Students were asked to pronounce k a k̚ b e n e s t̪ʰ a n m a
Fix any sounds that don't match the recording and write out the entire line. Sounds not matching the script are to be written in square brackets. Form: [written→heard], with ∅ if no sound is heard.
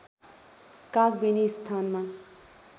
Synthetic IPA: k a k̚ b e n [e→i] s t̪ʰ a n m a